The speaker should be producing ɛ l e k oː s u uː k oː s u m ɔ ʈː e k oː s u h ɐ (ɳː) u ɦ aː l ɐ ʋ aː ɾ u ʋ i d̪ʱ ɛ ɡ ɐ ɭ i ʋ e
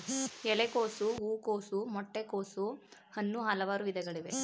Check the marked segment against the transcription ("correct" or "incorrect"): incorrect